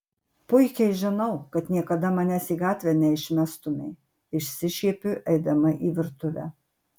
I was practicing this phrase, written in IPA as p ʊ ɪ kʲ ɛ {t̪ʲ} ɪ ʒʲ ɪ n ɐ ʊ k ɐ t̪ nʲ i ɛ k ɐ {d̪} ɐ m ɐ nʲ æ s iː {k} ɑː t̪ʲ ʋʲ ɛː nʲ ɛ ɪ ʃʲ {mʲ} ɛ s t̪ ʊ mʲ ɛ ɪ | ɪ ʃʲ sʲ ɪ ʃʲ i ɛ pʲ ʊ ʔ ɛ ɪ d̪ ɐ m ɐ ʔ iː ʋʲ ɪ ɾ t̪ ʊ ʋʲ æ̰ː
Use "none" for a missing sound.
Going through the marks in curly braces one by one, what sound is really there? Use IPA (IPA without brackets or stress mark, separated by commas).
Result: none, d̪, ɡ, mʲ